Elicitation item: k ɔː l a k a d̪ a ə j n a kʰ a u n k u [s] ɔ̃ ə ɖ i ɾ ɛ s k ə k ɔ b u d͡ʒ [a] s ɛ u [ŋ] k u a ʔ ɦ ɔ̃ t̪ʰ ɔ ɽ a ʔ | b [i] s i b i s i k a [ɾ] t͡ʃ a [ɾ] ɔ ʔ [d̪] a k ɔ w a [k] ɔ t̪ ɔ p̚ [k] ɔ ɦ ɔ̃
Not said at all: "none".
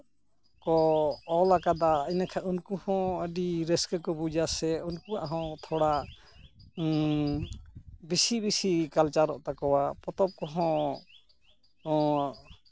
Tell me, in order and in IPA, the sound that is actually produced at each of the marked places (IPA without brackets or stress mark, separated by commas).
h, a, n, i, l, ɾ, t̪, p, k